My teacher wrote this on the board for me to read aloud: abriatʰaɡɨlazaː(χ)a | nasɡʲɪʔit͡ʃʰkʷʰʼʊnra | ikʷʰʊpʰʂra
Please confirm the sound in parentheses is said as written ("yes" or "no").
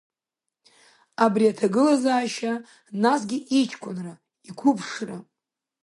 no